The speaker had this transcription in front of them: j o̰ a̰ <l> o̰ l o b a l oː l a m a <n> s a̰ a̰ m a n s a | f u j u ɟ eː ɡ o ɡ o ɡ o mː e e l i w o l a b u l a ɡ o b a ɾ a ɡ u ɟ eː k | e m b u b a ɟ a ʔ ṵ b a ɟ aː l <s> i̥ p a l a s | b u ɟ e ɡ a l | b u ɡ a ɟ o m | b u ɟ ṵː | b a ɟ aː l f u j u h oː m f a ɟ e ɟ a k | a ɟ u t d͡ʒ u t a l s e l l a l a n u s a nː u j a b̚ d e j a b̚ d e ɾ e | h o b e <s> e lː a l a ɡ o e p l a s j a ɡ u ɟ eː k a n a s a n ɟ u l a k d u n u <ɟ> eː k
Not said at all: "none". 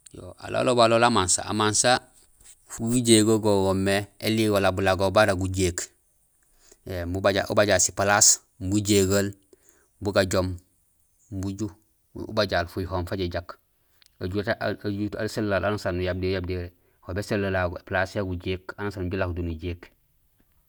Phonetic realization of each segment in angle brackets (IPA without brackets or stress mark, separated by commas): l, n, s, s, ɟ